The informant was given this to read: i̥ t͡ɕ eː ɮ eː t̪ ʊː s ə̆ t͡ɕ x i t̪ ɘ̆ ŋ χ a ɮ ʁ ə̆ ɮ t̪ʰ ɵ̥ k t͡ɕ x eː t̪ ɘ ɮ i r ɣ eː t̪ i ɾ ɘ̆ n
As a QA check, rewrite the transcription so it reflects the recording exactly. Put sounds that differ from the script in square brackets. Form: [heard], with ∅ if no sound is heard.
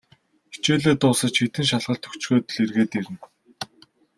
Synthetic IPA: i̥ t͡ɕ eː ɮ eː t̪ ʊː s ə̆ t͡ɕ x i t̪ ɘ̆ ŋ [ʃ] a ɮ ʁ ə̆ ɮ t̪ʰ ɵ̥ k t͡ɕ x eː t̪ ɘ ɮ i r ɣ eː t̪ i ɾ ɘ̆ n